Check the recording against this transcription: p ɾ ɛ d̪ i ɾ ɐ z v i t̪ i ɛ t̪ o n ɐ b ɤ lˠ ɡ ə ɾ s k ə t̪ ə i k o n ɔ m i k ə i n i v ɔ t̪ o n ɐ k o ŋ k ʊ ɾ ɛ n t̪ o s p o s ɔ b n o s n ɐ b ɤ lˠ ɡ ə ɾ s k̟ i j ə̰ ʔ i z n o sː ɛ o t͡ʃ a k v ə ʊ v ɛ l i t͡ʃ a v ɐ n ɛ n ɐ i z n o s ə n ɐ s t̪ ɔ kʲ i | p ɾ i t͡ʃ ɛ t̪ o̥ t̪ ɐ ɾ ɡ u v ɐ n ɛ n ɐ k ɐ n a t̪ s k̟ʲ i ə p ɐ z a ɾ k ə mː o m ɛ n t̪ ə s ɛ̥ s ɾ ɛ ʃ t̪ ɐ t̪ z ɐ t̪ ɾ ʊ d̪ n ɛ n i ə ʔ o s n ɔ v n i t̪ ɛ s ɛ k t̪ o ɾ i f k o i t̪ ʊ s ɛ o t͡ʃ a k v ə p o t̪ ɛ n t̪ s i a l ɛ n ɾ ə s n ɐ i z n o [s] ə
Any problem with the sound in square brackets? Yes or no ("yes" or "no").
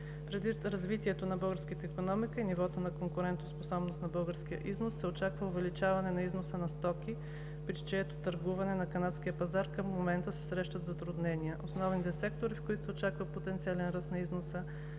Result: no